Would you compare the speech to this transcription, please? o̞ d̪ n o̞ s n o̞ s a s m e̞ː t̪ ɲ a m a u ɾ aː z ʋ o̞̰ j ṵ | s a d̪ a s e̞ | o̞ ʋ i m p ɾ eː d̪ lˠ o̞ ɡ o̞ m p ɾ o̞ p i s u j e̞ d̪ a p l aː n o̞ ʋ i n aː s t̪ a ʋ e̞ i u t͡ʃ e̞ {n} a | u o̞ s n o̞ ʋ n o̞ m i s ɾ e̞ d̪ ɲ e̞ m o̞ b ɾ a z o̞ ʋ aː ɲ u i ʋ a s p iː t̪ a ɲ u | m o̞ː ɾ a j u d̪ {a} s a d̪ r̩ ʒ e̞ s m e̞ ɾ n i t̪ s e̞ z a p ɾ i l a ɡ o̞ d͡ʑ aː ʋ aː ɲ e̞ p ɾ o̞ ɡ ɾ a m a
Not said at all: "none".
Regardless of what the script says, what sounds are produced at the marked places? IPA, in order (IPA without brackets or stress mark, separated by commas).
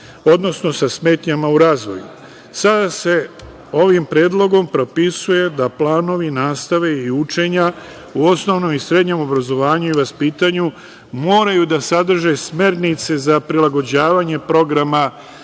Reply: ɲ, a